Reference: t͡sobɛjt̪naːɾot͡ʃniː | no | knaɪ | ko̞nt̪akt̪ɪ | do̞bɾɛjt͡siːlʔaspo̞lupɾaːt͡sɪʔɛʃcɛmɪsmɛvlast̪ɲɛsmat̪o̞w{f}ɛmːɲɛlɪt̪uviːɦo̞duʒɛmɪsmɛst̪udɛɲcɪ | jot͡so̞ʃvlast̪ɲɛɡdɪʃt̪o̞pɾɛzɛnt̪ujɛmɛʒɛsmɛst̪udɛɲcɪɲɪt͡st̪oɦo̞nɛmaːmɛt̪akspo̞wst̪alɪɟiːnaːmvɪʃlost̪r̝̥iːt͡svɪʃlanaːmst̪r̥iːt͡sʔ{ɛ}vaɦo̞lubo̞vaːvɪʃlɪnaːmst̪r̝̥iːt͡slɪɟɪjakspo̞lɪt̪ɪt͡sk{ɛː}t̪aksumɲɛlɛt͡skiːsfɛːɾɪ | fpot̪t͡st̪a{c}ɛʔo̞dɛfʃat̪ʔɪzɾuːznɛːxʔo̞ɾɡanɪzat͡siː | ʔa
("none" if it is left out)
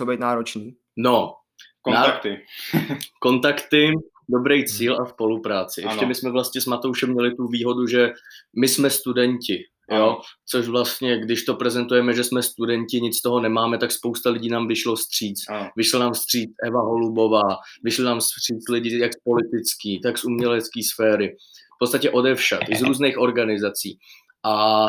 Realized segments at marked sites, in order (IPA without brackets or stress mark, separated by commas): ʃ, ɛ, iː, c